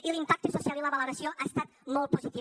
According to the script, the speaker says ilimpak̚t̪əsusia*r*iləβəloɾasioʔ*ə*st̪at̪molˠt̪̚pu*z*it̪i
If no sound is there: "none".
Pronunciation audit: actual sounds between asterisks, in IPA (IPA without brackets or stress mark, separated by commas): l, a, z